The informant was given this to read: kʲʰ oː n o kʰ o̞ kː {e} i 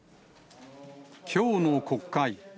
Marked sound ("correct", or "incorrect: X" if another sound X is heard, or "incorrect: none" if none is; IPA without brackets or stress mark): incorrect: a